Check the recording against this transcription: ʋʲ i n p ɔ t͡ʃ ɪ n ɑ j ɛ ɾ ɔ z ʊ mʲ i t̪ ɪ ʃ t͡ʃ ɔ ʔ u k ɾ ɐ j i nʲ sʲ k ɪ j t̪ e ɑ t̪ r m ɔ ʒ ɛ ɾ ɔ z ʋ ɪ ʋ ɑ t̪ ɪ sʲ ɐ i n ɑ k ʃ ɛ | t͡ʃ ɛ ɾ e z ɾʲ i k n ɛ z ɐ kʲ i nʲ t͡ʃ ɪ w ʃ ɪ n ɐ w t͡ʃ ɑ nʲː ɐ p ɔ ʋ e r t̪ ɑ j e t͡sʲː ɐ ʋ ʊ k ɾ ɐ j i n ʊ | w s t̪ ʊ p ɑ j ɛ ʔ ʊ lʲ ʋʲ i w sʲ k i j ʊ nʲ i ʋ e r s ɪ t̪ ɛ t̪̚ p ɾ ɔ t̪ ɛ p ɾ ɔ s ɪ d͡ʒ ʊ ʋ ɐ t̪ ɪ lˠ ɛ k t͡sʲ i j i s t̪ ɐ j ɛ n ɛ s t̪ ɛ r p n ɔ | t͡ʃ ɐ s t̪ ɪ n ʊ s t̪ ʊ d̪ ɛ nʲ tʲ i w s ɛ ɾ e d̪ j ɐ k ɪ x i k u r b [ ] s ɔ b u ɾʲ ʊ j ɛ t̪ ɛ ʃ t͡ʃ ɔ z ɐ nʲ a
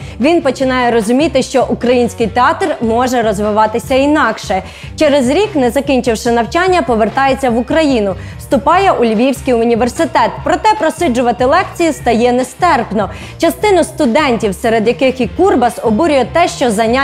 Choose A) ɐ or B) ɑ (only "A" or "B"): A